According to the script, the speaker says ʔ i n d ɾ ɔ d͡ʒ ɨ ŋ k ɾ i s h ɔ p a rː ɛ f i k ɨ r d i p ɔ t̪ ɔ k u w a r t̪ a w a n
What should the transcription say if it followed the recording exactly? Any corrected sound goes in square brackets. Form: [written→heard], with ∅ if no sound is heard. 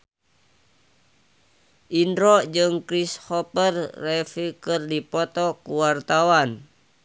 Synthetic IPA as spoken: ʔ i n d ɾ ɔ d͡ʒ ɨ ŋ k ɾ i s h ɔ p [a→ə] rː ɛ f i k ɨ r d i p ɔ t̪ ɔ k u w a r t̪ a w a n